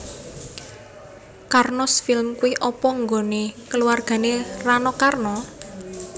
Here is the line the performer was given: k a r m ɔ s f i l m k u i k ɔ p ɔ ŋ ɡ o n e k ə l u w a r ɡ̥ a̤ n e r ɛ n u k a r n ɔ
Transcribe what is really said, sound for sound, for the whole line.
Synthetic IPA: k a r n ɔ s f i l m k u i ʔ ɔ p ɔ ŋ ɡ o n e k ə l u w a r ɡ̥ a̤ n e r a n ɔ k a r n ɔ